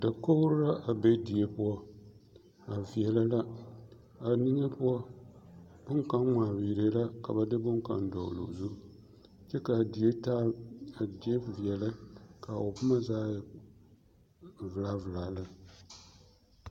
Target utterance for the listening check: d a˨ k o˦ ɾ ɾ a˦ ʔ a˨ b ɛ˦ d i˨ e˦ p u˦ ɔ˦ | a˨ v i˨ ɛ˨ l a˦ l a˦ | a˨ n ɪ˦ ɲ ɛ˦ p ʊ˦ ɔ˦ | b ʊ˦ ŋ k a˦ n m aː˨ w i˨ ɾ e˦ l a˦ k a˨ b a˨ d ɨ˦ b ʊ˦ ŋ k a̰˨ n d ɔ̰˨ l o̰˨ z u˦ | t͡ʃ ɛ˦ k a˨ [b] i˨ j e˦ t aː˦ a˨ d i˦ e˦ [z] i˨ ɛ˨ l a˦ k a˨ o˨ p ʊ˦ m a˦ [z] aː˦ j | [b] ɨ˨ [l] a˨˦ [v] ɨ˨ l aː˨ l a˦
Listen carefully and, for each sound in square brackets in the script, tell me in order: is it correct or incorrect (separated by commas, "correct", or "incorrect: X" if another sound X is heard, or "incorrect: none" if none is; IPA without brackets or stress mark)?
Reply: incorrect: d, incorrect: v, correct, incorrect: v, correct, correct